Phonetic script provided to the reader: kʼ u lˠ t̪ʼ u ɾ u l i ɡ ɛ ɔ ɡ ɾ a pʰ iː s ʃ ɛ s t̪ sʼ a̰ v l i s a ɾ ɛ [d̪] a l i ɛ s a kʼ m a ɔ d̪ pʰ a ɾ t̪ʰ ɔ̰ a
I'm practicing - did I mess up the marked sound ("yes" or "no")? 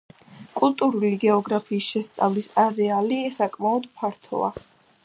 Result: yes